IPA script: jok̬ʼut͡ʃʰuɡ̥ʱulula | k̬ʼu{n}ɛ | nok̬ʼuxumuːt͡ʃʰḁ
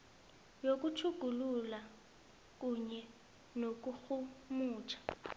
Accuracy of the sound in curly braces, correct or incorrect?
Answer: incorrect